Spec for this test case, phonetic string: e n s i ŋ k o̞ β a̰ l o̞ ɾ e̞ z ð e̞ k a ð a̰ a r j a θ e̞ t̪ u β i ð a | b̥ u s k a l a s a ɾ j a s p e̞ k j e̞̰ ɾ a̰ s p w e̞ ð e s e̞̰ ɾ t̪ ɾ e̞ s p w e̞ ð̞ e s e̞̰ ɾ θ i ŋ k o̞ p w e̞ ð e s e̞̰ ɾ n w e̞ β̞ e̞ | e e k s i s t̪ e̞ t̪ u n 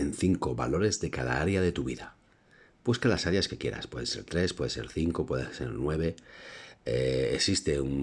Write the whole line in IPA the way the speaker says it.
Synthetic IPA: e n θ i ŋ k o̞ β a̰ l o̞ ɾ e̞ z ð e̞ k a ð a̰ a ɾ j a ð e̞ t̪ u β i ð a | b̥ u s k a l a s a ɾ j a s k e̞ k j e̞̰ ɾ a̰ s p w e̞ ð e s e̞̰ ɾ t̪ ɾ e̞ s p w e̞ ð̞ e s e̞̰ ɾ θ i ŋ k o̞ p w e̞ ð e s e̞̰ ɾ n w e̞ β̞ e̞ | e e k s i s t̪ e̞ u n